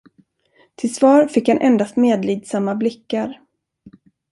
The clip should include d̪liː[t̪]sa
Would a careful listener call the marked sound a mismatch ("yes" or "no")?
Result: yes